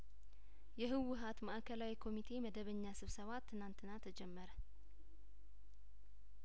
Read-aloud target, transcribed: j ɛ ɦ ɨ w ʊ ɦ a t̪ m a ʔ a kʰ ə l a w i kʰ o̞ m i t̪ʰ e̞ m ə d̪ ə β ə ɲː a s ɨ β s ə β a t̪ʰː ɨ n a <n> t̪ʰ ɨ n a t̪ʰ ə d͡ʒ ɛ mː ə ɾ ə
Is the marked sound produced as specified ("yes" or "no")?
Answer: yes